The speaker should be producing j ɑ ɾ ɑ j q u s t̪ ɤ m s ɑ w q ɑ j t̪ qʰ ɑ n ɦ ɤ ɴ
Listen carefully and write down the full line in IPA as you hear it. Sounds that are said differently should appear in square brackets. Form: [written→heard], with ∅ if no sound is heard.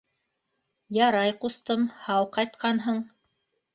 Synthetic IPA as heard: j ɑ ɾ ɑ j q u s t̪ ɤ m [s→h] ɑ w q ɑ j t̪ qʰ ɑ n ɦ ɤ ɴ

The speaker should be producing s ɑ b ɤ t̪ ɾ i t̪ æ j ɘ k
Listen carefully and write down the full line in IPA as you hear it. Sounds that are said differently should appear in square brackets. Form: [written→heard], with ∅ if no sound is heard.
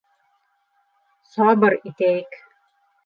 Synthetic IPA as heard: s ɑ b ɤ [t̪→∅] ɾ i t̪ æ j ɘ k

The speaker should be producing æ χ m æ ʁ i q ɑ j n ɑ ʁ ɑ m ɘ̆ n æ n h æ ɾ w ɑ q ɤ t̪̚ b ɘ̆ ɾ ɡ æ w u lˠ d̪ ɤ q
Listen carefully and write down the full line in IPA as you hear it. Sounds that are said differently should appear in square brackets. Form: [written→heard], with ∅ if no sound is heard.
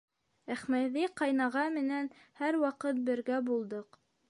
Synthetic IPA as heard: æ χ m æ [ʁ→ð] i q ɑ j n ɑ ʁ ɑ m ɘ̆ n æ n h æ ɾ w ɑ q ɤ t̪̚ b ɘ̆ ɾ ɡ æ [w→b] u lˠ d̪ ɤ q

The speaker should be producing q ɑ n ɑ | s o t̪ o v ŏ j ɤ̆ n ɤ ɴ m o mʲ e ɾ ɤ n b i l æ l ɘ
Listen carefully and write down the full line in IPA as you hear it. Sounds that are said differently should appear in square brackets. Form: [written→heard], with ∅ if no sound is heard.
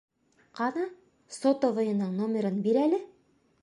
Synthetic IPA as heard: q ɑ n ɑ | s o t̪ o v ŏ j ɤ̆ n ɤ ɴ [m→n] o mʲ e ɾ ɤ n b i [l→ɾ] æ l ɘ

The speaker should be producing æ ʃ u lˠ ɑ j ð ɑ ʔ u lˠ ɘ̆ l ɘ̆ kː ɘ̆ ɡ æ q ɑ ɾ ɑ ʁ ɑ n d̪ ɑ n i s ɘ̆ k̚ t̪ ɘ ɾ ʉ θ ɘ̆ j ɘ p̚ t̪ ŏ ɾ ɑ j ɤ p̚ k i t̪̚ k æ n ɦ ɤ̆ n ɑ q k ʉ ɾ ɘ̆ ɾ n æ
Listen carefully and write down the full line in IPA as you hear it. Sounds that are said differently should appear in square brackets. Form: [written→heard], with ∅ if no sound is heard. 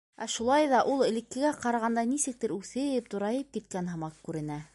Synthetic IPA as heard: æ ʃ u lˠ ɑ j ð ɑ ʔ u lˠ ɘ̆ l ɘ̆ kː ɘ̆ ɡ æ q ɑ ɾ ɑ ʁ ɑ n d̪ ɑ n i s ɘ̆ k̚ t̪ ɘ ɾ ʉ θ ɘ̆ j ɘ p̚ t̪ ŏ ɾ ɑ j ɤ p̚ k i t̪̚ k æ n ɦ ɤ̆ [n→m] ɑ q k ʉ ɾ ɘ̆ [ɾ→∅] n æ

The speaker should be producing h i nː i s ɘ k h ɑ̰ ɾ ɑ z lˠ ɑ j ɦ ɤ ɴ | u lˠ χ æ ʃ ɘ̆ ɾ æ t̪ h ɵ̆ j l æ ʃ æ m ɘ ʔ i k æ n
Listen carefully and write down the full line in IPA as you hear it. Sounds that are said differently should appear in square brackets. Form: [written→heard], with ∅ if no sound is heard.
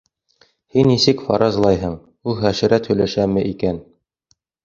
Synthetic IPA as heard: h i nː i s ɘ k [h→f] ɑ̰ ɾ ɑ z lˠ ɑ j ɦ ɤ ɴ | u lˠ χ æ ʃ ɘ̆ ɾ æ t̪ h ɵ̆ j l æ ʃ æ m ɘ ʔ i k æ n

